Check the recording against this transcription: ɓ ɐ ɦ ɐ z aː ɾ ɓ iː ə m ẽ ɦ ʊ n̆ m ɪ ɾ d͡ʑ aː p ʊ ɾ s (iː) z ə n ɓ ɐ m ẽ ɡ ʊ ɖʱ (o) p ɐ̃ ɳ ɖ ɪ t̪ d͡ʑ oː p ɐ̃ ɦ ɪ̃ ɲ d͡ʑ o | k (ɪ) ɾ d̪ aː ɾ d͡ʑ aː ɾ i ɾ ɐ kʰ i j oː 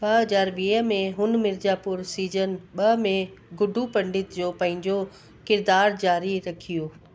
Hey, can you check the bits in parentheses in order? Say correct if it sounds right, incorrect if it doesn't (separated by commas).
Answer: correct, incorrect, correct